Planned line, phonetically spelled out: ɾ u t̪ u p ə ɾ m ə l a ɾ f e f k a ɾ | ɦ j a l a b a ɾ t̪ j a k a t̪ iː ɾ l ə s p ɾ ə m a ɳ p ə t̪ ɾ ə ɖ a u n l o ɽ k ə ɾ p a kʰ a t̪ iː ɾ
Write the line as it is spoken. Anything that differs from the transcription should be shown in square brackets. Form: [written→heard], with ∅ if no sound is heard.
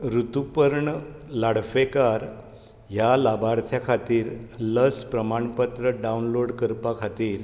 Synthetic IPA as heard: ɾ u t̪ u p ə ɾ [m→ɳ] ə l a [ɾ→ɽ] f e [f→∅] k a ɾ | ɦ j a l a b a ɾ [t̪→t̪ʰ] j a [k→kʰ] a t̪ iː ɾ l ə s p ɾ ə m a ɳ p ə t̪ ɾ ə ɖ a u n l o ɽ k ə ɾ p a kʰ a t̪ iː ɾ